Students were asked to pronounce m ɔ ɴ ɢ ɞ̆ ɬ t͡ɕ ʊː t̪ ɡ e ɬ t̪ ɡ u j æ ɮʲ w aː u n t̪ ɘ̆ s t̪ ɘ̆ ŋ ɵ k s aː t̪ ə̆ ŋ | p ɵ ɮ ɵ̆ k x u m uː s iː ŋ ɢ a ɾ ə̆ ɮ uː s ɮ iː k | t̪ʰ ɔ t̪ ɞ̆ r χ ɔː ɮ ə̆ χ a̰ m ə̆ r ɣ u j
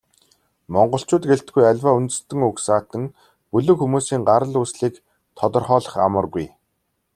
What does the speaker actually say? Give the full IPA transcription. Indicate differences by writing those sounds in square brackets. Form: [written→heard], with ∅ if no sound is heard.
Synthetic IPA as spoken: m ɔ ɴ ɢ ɞ̆ ɬ t͡ɕ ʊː t̪ ɡ e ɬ t̪ ɡ u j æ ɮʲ w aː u n t̪ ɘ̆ s t̪ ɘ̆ ŋ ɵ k s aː t̪ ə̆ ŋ | p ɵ ɮ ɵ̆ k x u m uː s iː ŋ ɢ a ɾ ə̆ ɮ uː s ɮ iː k | t̪ʰ ɔ t̪ ɞ̆ r χ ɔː ɮ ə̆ χ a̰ m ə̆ r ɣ u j